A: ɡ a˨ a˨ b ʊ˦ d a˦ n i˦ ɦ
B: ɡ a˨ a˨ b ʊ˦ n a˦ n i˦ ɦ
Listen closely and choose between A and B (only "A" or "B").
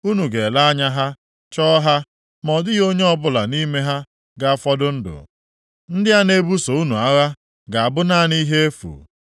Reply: B